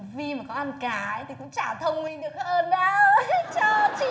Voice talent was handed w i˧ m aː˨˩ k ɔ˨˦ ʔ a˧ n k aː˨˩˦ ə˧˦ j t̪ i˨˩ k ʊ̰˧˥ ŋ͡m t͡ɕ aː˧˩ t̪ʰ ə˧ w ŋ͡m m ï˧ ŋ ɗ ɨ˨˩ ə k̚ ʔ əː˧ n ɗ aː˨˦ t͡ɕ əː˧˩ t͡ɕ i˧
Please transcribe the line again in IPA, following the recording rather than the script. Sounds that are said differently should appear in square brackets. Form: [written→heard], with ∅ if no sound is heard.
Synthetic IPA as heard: [w→v] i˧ m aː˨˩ k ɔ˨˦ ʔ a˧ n k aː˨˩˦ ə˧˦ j t̪ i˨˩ k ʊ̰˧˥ ŋ͡m t͡ɕ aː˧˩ t̪ʰ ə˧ w ŋ͡m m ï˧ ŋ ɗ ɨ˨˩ ə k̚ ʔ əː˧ n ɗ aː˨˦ t͡ɕ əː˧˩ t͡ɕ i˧